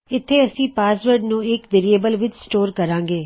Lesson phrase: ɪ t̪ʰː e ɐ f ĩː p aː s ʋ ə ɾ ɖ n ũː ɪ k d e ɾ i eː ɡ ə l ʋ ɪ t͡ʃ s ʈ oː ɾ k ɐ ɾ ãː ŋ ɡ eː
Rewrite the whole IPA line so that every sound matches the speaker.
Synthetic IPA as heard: ɪ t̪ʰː e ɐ s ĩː p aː s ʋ ə ɾ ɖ n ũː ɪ k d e ɾ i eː b ə l ʋ ɪ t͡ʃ s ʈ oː ɾ k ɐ ɾ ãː ŋ ɡ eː

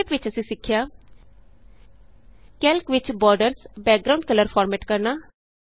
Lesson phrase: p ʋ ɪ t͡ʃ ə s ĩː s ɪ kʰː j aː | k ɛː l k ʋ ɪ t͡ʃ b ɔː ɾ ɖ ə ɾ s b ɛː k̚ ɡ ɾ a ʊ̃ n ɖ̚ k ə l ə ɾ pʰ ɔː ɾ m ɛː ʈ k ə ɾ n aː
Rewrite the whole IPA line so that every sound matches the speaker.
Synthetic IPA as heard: p ʋ ɪ t͡ʃ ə s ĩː s ɪ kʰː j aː | k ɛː l k ʋ ɪ t͡ʃ b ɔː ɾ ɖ ə ɾ s b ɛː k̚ ɡ ɾ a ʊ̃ ɳ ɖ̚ k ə l ə ɾ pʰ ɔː ɾ m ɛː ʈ k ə ɾ n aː

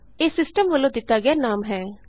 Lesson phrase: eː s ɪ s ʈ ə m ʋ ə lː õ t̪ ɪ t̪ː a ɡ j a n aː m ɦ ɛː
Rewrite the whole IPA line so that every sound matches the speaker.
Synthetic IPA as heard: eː s ɪ s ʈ ə m ʋ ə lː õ d̪ ɪ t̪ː a ɡ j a n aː m ɦ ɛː

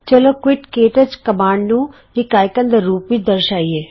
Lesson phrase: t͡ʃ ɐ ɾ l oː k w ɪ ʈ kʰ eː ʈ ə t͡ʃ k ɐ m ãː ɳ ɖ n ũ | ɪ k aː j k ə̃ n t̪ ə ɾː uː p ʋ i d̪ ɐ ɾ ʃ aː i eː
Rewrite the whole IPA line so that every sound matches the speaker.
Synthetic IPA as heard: t͡ʃ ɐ l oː k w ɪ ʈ k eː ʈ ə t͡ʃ k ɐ m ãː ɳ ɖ n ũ | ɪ k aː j k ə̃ n d̪ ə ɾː uː p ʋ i d̪ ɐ ɾ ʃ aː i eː

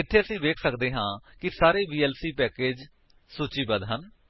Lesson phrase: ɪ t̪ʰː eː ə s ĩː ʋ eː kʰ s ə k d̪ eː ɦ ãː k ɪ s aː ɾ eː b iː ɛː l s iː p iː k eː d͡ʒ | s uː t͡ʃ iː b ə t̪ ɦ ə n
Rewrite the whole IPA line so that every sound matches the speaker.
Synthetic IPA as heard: ɪ t̪ʰː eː ə s ĩː ʋ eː kʰ s ə k d̪ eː ɦ ãː k ɪ s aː ɾ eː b iː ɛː l s iː p ɛː k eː d͡ʒ | s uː t͡ʃ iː b ə d̪ ɦ ə n

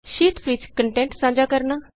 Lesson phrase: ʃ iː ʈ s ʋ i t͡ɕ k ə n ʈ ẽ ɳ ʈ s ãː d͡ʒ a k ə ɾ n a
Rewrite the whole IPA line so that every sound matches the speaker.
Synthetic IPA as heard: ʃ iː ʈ s ʋ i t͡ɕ k ə ɳ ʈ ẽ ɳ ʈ s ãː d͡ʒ a k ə ɾ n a

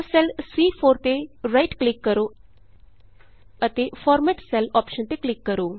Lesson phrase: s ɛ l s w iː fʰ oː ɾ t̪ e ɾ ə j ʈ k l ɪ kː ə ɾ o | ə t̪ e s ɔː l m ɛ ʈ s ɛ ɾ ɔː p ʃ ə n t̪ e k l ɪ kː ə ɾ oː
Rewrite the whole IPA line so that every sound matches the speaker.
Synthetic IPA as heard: s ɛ l s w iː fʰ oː ɾ t̪ e ɾ a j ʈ k l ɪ kː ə ɾ o | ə t̪ e f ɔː ɾ m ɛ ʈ s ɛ l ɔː p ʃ ə n t̪ e k l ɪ kː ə ɾ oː

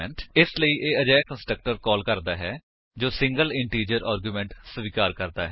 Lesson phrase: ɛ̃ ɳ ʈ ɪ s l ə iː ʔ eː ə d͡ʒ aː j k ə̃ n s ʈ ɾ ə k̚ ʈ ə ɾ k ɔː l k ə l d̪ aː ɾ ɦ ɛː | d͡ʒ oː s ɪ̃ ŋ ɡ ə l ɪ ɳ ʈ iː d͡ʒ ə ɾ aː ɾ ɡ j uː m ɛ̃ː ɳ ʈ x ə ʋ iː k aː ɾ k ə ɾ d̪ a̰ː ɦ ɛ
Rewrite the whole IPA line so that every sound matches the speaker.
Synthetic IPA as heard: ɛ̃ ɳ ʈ ɪ s l ə iː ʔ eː ə d͡ʒ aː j k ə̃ n s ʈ ɾ ə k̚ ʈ ə ɾ k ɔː l k ə ɾ d̪ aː ɦ ɛː | d͡ʒ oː s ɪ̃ ŋ ɡ ə l ɪ ɳ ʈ iː d͡ʒ ə ɾ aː ɾ ɡ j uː m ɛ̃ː ɳ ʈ s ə ʋ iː k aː ɾ k ə ɾ d̪ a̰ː ɦ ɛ

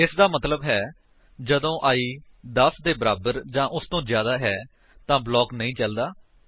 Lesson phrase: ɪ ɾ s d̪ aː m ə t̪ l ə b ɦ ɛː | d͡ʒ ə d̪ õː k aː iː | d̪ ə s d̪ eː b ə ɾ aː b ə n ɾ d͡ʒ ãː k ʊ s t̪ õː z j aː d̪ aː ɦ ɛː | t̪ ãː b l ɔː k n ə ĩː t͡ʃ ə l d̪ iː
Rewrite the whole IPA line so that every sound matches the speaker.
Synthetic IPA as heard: ɪ s d̪ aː m ə t̪ l ə b ɦ ɛː | d͡ʒ ə d̪ õː ʔ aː iː | d̪ ə s d̪ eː b ə ɾ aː b ə ɾ d͡ʒ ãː ʔ ʊ s t̪ õː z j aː d̪ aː ɦ ɛː | t̪ ãː b l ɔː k n ə ĩː t͡ʃ ə l d̪ aː

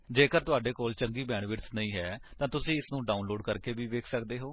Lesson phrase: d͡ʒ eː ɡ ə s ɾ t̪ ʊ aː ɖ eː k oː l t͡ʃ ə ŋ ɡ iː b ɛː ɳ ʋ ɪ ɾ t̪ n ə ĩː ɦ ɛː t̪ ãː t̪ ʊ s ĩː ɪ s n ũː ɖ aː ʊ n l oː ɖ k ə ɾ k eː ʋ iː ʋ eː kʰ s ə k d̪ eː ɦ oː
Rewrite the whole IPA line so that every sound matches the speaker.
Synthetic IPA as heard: d͡ʒ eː k ə ɾ t̪ ʊ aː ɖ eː k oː l t͡ʃ ə ŋ ɡ iː b ɛː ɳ ʋ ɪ ɾ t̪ n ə ĩː ɦ ɛː t̪ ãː t̪ ʊ s ĩː ɪ s n ũː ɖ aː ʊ n l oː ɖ k ə ɾ k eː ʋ iː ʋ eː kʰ s ə k d̪ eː ɦ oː

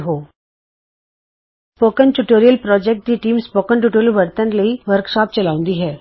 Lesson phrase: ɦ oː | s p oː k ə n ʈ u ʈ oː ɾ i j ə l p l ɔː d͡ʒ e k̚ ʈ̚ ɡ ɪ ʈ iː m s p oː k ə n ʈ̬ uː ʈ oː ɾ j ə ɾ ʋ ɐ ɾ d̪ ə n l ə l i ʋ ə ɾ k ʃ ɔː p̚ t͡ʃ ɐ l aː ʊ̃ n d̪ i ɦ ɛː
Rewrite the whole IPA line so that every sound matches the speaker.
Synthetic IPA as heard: ɦ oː | s p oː k ə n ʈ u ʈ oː ɾ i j ə l p ɾ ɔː d͡ʒ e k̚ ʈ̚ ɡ i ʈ iː m s p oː k ə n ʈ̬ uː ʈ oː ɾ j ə l ʋ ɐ ɾ t̪ ə n l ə i ʋ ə ɾ k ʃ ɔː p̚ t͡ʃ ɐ l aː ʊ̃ n d̪ i ɦ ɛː

